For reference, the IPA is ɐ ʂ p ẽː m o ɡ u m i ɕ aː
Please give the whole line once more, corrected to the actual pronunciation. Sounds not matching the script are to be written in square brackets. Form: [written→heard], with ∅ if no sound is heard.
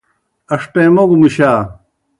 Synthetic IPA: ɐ ʂ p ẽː m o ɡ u m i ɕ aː